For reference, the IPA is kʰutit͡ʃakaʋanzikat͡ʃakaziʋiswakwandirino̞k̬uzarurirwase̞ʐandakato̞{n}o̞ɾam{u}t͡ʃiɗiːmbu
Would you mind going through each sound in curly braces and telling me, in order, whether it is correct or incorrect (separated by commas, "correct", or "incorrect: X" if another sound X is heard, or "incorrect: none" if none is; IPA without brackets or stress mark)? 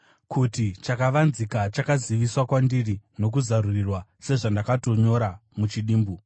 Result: incorrect: ɲ, correct